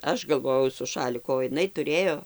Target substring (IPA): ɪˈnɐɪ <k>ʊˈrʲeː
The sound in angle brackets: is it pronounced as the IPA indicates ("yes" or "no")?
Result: no